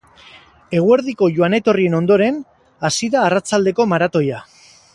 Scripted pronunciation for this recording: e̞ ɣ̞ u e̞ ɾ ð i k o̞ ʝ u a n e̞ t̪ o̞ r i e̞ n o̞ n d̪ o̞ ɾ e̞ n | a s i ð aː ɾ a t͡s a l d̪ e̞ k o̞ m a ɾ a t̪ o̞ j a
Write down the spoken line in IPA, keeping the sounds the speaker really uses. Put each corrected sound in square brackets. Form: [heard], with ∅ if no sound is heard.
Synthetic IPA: e̞ ɣ̞ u e̞ ɾ ð i k o̞ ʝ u a n e̞ t̪ o̞ r i e̞ n o̞ n d̪ o̞ ɾ e̞ n | a s i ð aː [r] a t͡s a l d̪ e̞ k o̞ m a ɾ a t̪ o̞ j a